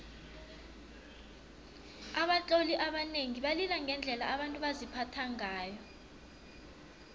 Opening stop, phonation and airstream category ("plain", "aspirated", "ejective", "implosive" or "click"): implosive